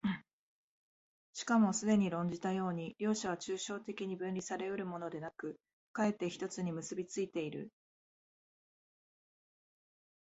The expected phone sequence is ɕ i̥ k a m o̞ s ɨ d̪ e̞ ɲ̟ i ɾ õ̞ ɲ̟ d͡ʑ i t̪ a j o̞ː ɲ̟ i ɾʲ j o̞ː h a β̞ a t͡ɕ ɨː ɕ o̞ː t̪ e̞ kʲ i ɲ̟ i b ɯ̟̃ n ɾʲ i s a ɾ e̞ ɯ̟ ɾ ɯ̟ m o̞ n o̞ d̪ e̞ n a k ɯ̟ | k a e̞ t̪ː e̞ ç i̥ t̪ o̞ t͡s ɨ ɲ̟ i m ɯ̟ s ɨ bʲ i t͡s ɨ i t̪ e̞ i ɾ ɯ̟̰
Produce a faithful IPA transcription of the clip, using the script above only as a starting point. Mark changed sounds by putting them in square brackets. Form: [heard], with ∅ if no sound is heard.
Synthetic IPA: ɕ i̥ k a m o̞ s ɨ d̪ e̞ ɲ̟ i ɾ õ̞ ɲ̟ d͡ʑ i t̪ a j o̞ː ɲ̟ i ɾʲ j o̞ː [ɕ] a β̞ a t͡ɕ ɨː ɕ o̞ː t̪ e̞ kʲ i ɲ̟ i b ɯ̟̃ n ɾʲ i s a ɾ e̞ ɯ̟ ɾ ɯ̟ m o̞ n o̞ d̪ e̞ n a k ɯ̟ | k a e̞ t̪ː e̞ ç i̥ t̪ o̞ t͡s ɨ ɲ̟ i m ɯ̟ s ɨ bʲ i t͡s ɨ i t̪ e̞ i ɾ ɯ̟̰